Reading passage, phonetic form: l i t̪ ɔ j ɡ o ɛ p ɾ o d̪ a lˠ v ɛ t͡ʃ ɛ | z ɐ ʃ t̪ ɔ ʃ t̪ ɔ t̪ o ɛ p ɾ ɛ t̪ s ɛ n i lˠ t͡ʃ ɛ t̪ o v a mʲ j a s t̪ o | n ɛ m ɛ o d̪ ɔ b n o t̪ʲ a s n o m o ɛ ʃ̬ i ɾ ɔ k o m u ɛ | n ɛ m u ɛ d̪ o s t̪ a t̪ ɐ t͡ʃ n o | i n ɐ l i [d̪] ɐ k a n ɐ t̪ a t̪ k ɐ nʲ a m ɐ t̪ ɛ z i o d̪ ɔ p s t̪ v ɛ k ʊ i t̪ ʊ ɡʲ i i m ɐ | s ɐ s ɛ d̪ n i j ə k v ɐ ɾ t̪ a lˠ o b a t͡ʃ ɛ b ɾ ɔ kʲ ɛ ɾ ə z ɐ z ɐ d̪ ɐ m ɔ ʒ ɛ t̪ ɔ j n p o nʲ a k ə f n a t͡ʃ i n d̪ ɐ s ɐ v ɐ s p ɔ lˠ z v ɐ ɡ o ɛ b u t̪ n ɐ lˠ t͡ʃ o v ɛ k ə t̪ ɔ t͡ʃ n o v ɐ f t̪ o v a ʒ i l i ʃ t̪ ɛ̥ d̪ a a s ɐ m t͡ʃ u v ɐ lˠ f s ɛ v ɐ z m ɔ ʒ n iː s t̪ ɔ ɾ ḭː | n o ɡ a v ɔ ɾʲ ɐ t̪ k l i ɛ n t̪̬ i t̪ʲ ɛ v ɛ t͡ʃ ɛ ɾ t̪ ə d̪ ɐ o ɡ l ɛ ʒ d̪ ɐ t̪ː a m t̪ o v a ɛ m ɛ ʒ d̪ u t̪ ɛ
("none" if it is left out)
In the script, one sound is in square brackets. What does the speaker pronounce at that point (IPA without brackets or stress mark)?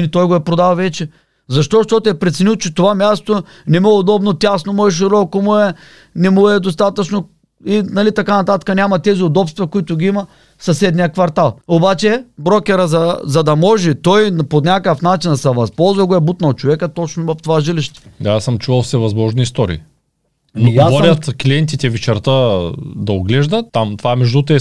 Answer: t̪